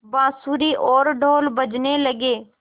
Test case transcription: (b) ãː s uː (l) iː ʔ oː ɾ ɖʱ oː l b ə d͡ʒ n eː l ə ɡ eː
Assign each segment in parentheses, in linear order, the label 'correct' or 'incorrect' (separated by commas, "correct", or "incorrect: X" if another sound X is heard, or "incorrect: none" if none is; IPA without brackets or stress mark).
correct, incorrect: ɾ